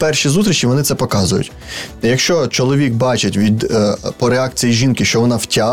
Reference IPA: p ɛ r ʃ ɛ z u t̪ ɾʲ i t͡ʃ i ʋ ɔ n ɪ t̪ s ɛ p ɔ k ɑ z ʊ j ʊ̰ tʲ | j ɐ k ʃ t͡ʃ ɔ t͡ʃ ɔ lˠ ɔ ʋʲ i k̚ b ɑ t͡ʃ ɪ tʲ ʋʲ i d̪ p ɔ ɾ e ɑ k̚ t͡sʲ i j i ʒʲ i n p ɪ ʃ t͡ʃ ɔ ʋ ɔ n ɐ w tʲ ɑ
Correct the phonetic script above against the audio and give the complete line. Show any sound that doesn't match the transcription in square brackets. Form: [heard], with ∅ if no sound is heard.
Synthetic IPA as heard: p ɛ r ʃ [i] z u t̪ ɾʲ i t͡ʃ i ʋ ɔ n ɪ t̪ s ɛ p ɔ k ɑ z ʊ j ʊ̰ tʲ | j ɐ k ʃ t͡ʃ ɔ t͡ʃ ɔ lˠ ɔ ʋʲ i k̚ b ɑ t͡ʃ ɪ tʲ ʋʲ i d̪ p ɔ ɾ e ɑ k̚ t͡sʲ i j i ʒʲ i n [k] ɪ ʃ t͡ʃ ɔ ʋ ɔ n [ɑ] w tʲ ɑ